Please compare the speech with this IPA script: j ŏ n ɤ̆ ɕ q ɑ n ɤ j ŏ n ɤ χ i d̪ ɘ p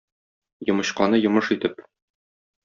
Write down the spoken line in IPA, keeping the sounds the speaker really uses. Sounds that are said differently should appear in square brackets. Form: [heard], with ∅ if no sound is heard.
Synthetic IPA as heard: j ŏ [m] ɤ̆ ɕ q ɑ n ɤ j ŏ [m] ɤ [ʃ] i [t̪] ɘ p